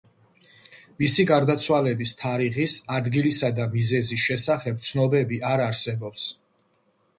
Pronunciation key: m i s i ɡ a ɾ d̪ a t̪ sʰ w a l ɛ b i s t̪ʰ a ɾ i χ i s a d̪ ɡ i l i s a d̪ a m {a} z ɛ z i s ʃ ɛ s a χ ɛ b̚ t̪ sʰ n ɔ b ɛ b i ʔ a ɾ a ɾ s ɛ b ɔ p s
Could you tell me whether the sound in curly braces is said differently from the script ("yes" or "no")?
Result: yes